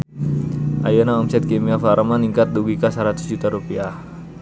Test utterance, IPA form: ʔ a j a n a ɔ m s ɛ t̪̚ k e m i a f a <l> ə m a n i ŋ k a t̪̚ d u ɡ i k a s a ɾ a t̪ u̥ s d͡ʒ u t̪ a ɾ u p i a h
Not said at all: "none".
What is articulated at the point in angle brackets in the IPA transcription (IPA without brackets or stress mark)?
ɾ